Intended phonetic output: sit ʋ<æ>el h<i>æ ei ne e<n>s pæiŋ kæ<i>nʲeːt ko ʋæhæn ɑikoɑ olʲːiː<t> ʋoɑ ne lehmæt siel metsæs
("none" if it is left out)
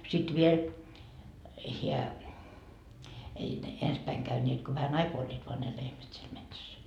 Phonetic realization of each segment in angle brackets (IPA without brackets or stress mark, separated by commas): i, i, n, y, t